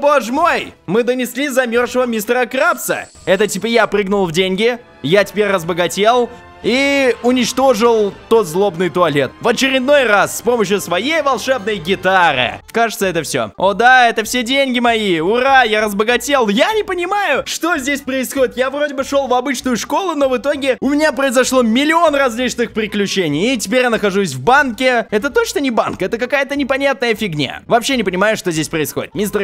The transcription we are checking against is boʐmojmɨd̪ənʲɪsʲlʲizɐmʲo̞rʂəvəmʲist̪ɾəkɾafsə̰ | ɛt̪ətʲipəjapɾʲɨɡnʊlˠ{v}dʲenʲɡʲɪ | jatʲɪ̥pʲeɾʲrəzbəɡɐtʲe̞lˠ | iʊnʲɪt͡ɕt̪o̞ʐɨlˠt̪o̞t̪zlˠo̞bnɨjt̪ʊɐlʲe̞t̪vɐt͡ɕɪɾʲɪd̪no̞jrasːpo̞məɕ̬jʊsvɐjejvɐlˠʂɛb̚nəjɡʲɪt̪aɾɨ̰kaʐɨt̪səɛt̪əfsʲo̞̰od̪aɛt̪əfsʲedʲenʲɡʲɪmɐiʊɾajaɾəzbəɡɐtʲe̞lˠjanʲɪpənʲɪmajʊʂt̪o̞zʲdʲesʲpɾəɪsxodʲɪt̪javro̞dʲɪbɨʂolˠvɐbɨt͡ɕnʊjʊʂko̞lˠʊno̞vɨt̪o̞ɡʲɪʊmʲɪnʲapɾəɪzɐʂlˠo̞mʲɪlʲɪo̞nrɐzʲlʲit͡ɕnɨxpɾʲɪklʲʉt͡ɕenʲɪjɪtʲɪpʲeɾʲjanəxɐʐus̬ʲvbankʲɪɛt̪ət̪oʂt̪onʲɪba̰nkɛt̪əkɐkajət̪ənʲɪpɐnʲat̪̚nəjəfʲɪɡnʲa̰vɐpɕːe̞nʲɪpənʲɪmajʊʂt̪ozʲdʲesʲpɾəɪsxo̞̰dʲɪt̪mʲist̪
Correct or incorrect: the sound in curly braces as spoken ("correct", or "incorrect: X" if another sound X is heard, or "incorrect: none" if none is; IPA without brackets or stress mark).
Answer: correct